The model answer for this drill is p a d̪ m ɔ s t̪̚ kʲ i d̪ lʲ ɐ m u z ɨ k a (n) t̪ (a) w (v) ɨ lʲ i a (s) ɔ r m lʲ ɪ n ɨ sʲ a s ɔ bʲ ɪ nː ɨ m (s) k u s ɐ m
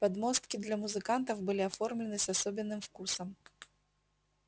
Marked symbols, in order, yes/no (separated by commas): yes, no, no, no, no